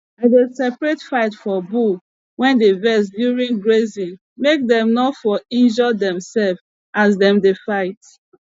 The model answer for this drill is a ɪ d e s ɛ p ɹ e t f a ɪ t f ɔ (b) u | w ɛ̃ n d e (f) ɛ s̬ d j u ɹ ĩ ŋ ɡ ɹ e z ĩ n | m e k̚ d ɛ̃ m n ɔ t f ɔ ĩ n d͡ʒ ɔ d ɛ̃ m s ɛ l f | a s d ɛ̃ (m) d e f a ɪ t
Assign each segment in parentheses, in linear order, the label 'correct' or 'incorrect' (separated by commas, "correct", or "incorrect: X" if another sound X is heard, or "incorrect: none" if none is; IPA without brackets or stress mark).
correct, incorrect: v, correct